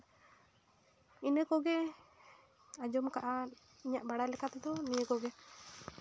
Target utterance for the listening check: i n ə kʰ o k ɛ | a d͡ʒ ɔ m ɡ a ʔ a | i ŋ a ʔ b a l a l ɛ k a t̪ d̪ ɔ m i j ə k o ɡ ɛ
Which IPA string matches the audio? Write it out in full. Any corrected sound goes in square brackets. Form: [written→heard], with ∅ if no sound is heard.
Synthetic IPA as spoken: i n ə [kʰ→k] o [k→ɡ] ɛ | a d͡ʒ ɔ m [ɡ→k] a ʔ a | i [ŋ→ɲ] a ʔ b a [l→ɽ] a l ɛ k a t̪ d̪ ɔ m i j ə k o ɡ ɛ